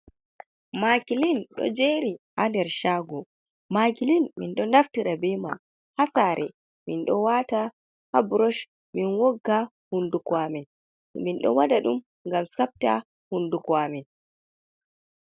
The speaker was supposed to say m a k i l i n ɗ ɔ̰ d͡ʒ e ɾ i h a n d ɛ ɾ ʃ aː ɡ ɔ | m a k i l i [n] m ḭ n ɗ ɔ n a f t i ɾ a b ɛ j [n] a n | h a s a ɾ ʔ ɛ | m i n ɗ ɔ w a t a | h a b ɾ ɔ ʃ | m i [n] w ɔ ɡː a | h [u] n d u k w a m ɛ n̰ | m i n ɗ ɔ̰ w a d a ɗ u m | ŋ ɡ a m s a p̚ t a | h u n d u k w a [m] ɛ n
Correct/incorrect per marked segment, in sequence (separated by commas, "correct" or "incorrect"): correct, incorrect, correct, correct, correct